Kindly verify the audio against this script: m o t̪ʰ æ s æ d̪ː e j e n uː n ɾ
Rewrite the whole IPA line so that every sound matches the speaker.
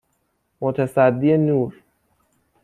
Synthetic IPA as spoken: m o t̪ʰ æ s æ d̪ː i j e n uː ɾ